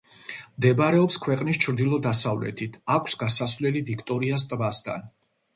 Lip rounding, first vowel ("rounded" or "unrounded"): unrounded